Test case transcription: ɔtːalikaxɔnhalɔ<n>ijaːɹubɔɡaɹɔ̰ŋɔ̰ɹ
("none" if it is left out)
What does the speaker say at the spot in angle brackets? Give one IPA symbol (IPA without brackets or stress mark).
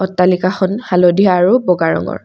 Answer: d